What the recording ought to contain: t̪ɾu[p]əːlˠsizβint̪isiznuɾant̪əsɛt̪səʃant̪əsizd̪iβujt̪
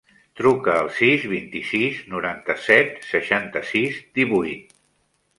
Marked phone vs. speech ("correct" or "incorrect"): incorrect